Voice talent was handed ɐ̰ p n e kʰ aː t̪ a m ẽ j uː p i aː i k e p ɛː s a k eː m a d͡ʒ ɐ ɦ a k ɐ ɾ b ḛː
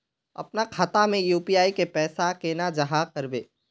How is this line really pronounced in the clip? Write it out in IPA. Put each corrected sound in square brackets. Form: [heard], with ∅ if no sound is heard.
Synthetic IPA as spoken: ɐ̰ p n [a] kʰ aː t̪ a m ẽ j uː p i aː i k e p ɛː s a k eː [n] a d͡ʒ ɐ ɦ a k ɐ ɾ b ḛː